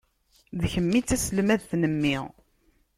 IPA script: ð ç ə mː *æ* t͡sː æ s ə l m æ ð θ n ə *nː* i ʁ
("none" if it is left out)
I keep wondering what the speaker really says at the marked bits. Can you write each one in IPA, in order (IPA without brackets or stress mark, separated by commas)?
i, mː